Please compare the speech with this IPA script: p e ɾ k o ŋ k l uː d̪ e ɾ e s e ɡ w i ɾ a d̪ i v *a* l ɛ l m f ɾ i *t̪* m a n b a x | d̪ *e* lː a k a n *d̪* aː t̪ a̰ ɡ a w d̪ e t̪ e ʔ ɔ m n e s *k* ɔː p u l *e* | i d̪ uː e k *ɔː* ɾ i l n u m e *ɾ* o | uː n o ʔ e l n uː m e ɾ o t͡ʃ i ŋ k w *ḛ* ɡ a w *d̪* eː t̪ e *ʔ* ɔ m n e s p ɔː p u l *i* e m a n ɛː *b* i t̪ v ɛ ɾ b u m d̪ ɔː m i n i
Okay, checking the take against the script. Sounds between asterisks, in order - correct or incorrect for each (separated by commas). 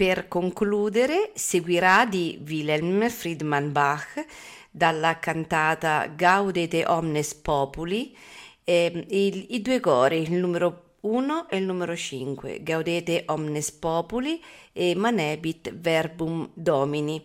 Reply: incorrect, incorrect, incorrect, incorrect, incorrect, incorrect, correct, correct, correct, correct, correct, correct, correct